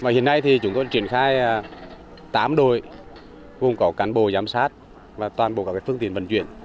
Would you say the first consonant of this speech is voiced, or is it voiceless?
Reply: voiced